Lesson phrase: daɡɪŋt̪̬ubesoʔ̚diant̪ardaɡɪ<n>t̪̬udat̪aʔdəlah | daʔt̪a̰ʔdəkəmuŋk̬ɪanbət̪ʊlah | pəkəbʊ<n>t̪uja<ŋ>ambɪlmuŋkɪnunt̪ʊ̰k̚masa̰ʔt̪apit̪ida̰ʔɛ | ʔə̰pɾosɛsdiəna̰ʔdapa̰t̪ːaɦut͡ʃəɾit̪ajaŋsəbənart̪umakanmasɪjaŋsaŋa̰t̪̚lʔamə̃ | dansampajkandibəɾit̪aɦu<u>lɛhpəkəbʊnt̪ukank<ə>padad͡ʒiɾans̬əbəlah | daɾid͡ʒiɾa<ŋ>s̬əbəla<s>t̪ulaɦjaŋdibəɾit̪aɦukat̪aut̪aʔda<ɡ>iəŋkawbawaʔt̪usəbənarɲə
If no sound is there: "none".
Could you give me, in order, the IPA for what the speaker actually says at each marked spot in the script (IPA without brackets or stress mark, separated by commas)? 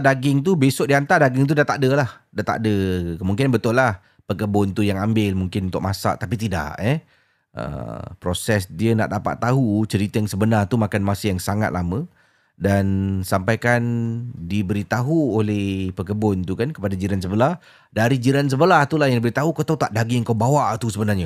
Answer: ŋ, n, ŋ, o, ə, n, h, ɡ